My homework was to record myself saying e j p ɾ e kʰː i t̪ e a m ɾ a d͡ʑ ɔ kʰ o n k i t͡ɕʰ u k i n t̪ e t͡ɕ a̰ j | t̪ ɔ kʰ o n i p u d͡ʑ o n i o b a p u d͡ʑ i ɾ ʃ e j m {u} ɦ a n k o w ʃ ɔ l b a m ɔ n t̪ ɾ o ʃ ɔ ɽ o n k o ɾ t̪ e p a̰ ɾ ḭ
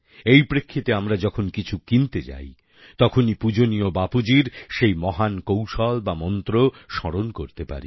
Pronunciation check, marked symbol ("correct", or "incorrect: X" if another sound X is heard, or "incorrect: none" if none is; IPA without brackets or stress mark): incorrect: ɔ